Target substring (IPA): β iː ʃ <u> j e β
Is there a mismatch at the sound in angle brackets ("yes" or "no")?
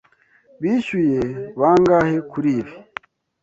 no